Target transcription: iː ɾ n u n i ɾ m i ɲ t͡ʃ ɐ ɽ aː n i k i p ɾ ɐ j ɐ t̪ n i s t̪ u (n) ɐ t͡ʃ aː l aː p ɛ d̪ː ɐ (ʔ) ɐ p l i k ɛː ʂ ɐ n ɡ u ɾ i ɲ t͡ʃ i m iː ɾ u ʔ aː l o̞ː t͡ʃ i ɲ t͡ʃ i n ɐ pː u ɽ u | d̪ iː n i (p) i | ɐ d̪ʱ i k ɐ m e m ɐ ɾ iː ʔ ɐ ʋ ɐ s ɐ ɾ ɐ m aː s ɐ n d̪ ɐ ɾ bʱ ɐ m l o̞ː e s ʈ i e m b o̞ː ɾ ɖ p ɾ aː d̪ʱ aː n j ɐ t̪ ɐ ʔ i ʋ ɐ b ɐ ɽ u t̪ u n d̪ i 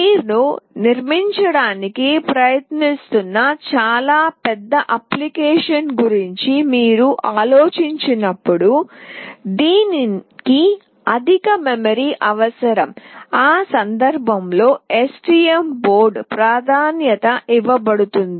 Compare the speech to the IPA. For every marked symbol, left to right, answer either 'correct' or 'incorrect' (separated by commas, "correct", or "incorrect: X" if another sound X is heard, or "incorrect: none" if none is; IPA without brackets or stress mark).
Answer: incorrect: nː, correct, incorrect: k